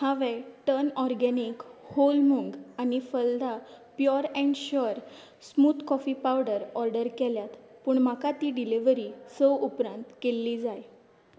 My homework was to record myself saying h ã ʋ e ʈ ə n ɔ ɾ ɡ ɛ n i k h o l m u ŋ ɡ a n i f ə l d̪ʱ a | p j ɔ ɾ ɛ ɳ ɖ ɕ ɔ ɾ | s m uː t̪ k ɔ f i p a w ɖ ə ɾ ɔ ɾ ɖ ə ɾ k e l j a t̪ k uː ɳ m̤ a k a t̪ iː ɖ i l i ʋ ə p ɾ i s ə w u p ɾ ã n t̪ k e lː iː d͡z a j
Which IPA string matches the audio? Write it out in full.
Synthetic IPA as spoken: h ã ʋ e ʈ ə n ɔ ɾ ɡ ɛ n i k h o l m u ŋ ɡ a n i f ə l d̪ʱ a | p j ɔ ɾ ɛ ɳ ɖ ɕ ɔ ɾ | s m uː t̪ k ɔ f i p a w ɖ ə ɾ ɔ ɾ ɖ ə ɾ k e l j a t̪ p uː ɳ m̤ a k a t̪ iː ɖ i l i ʋ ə ɾ i s ə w u p ɾ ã n t̪ k e lː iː d͡z a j